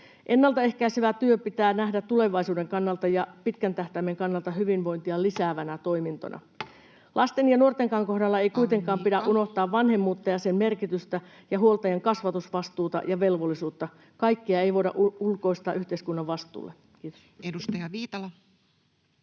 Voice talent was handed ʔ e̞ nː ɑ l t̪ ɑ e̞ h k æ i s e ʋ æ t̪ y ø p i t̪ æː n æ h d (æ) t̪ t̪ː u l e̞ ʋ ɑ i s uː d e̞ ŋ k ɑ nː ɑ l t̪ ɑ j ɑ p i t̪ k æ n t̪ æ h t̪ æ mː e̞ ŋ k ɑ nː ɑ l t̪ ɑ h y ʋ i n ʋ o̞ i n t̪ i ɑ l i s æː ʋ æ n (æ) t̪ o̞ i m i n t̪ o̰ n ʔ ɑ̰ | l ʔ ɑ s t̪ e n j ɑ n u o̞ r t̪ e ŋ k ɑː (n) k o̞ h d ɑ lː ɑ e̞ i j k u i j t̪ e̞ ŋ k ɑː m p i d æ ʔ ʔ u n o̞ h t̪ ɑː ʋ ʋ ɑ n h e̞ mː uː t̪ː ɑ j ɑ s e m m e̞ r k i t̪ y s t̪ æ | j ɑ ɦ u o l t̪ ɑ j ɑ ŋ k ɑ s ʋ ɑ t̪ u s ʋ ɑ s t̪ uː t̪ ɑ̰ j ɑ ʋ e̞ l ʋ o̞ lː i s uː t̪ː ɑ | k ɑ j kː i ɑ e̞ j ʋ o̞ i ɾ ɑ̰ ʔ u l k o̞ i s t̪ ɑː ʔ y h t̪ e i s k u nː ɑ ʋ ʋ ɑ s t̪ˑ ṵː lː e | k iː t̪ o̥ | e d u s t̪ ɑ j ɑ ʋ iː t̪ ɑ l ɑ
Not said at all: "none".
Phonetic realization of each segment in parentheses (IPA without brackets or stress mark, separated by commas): æ, æ, ŋ